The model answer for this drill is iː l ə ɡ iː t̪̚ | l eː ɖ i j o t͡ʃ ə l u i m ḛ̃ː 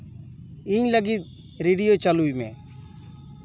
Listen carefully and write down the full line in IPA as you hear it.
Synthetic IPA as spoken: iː l ə ɡ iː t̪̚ | ɾ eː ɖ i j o t͡ʃ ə l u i m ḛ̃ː